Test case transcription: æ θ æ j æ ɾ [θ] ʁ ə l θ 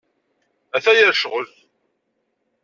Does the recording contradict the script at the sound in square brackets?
yes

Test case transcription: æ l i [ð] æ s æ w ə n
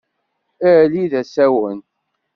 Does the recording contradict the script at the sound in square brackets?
no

